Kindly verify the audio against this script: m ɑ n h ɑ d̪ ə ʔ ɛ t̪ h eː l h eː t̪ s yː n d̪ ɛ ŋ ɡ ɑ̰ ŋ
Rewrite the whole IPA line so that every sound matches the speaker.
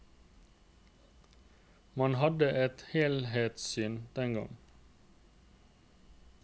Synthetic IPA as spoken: m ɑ n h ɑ d̪ ə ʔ ɛ t̪ h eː l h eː t̪ s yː n d̪ ɛ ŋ ɡ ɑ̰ ŋ